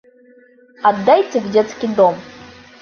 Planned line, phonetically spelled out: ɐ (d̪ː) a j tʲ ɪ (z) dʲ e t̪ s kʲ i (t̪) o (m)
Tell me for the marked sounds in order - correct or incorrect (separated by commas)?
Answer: correct, incorrect, incorrect, correct